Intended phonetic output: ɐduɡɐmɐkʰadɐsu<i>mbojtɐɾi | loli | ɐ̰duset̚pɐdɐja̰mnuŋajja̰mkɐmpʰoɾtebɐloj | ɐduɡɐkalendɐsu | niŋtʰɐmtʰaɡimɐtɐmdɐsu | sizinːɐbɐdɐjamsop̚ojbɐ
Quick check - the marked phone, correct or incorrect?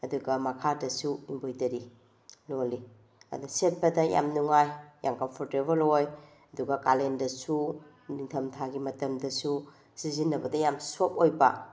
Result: correct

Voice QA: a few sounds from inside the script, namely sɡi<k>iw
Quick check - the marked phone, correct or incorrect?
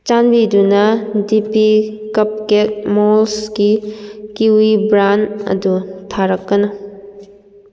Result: correct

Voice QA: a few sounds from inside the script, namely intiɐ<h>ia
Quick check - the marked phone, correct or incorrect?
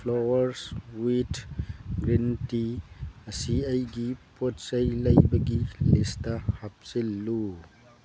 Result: incorrect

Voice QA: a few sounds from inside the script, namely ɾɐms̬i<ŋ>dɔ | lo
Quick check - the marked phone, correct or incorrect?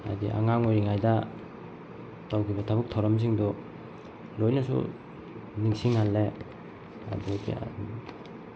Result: correct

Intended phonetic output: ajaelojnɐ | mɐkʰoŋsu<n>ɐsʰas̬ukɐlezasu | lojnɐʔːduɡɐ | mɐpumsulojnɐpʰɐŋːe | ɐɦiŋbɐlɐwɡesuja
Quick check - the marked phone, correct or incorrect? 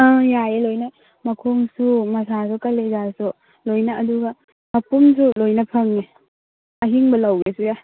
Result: incorrect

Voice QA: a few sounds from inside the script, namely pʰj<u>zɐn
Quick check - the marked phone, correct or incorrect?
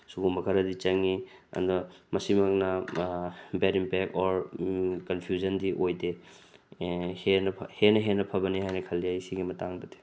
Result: correct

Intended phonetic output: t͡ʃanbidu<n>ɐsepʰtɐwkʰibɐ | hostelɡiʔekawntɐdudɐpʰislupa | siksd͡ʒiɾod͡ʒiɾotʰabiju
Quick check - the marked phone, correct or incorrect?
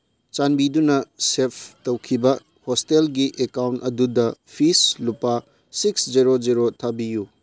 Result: correct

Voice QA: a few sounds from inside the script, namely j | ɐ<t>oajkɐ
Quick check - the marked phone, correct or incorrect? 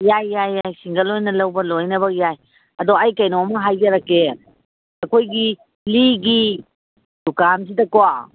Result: incorrect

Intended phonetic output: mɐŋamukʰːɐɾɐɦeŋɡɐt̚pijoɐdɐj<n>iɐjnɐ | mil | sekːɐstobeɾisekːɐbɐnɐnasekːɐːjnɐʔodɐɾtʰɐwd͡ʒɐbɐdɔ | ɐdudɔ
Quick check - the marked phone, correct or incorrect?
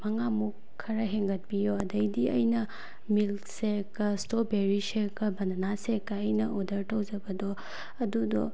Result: incorrect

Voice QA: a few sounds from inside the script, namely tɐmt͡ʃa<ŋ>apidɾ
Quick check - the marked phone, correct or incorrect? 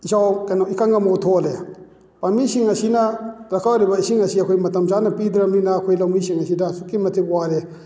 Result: incorrect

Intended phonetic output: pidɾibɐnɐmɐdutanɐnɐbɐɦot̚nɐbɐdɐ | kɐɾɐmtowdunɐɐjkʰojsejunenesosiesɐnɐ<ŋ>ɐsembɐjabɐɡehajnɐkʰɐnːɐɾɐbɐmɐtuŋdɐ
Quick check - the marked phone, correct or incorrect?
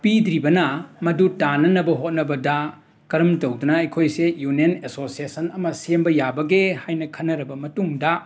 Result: incorrect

